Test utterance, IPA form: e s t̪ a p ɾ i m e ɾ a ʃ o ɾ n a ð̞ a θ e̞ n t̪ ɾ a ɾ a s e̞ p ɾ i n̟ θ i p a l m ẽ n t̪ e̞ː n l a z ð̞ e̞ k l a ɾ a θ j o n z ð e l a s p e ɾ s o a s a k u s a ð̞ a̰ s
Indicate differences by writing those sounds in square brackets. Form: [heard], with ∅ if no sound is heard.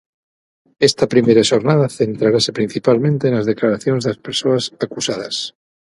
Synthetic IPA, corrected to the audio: e s t̪ a p ɾ i m e ɾ a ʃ o ɾ n a ð̞ a θ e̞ n t̪ ɾ a ɾ a s e̞ p ɾ i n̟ θ i p a l m ẽ n t̪ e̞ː n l a z ð̞ e̞ k l a ɾ a θ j o n z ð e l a s p e ɾ s o a s a k u s a ð̞ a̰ s